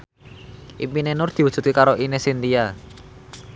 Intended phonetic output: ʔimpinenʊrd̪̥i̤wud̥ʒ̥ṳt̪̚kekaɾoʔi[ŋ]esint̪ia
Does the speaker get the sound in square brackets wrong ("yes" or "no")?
yes